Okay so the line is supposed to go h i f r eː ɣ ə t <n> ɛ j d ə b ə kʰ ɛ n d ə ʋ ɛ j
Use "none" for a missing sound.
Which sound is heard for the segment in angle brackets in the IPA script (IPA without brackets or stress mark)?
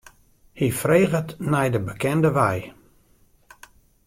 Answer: n